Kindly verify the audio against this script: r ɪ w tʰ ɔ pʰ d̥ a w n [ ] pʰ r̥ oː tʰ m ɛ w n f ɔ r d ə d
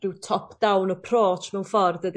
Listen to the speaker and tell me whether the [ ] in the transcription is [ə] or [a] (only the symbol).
ə